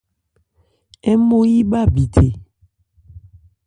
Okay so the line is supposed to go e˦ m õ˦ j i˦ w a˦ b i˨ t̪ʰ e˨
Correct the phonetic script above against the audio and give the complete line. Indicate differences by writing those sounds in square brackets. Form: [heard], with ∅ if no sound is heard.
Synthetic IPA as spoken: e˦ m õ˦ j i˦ [b] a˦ b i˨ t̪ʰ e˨